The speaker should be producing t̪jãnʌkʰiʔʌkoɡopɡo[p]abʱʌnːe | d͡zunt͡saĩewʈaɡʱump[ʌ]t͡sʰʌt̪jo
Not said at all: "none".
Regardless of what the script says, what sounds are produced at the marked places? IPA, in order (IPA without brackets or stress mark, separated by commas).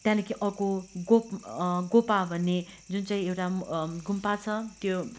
p, a